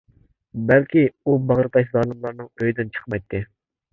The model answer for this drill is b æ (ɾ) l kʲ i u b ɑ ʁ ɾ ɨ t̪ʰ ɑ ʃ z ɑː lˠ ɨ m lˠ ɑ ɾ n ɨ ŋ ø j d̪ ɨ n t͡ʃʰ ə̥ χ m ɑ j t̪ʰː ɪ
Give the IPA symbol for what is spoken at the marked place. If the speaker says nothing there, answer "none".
none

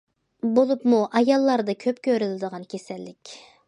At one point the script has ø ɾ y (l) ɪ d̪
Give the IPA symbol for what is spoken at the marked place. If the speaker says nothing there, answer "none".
l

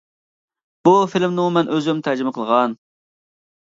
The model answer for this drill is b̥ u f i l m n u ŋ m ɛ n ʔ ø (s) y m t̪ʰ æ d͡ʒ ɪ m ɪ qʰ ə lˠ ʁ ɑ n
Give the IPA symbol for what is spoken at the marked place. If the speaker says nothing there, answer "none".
z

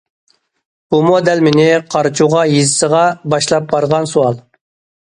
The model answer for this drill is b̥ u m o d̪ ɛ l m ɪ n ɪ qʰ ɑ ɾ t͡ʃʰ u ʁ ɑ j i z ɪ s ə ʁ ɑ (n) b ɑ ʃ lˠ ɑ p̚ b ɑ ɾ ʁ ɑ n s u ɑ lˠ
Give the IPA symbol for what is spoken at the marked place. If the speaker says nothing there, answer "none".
none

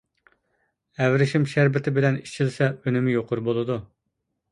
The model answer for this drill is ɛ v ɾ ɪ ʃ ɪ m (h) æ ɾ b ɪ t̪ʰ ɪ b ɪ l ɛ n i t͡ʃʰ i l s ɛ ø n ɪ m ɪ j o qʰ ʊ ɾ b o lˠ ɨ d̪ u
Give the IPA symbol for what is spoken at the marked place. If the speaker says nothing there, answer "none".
ʃ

